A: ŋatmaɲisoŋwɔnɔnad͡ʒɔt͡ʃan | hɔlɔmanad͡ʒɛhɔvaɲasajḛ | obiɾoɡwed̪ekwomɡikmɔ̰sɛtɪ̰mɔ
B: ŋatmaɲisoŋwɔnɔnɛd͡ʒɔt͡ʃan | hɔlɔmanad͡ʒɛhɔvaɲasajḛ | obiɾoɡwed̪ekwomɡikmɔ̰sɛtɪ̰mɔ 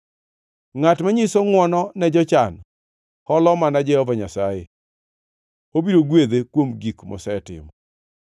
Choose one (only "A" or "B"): B